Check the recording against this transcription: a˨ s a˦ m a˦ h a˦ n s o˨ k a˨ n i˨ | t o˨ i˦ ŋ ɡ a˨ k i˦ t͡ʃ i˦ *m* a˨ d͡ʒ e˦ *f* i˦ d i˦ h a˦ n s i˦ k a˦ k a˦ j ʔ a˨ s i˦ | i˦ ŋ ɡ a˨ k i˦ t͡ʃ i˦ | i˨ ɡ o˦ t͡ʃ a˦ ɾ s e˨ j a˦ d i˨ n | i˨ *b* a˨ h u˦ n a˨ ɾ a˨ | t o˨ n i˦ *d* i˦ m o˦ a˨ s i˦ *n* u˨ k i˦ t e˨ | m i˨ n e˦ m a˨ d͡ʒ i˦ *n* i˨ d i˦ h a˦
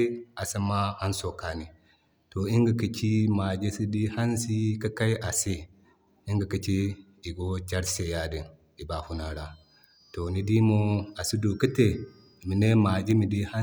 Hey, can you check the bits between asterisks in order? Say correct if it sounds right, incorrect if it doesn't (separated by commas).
correct, incorrect, correct, correct, incorrect, incorrect